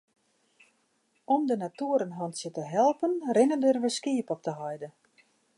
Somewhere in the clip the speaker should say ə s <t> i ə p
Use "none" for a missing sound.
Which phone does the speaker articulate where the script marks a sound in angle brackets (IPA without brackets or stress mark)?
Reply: k